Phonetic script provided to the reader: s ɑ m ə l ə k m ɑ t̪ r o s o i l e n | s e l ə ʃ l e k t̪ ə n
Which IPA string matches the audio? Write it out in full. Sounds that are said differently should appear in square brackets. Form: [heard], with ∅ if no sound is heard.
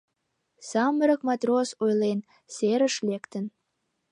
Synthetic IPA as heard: s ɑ m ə [ɾ] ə k m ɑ t̪ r o s o [j] l e n | s e [ɾ] ə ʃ l e k t̪ ə n